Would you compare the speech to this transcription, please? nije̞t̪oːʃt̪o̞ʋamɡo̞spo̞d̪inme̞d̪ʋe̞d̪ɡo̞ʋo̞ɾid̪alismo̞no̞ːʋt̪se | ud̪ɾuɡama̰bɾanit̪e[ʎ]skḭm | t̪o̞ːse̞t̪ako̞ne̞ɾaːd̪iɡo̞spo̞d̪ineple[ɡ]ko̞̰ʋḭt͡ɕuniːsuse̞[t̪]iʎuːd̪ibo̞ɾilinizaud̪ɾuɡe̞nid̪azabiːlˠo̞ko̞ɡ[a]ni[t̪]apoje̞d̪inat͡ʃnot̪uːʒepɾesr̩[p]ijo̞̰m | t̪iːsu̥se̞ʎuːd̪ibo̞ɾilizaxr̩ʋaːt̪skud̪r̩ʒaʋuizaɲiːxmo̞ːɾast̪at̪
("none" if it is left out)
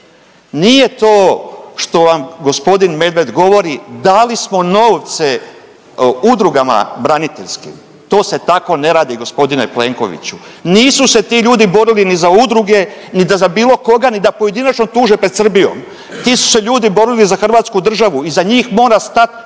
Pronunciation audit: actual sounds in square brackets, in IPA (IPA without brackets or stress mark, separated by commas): ʎ, ŋ, t̪, a, d̪, b